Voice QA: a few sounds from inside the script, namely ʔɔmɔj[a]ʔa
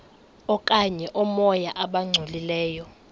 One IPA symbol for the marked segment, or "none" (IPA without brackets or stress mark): a